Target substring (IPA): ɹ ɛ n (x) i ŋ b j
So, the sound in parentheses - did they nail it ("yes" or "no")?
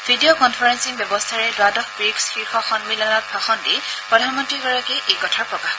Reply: no